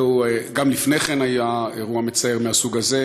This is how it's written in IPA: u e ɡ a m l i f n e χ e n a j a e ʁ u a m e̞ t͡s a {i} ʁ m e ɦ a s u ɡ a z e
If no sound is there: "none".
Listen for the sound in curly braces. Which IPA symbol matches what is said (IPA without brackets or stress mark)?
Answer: e